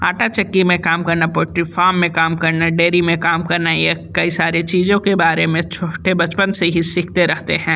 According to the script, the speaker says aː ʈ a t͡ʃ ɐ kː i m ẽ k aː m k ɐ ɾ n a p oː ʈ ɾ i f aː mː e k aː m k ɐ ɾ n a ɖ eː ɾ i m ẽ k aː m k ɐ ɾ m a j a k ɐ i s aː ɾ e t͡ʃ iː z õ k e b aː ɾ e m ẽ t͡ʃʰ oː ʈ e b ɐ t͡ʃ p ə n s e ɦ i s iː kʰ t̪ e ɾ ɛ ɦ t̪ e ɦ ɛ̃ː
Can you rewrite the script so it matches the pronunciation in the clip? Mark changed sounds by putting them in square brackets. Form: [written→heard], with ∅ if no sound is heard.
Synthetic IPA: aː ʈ a t͡ʃ ɐ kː i m ẽ k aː m k ɐ ɾ n a p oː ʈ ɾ i f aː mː [e→ẽ] k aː m k ɐ ɾ n a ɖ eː ɾ i m ẽ k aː m k ɐ ɾ [m→n] a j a k ɐ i s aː ɾ e t͡ʃ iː z õ k e b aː ɾ e m ẽ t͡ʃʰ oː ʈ e b ɐ t͡ʃ p ə n s e ɦ i s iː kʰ t̪ e ɾ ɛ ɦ t̪ e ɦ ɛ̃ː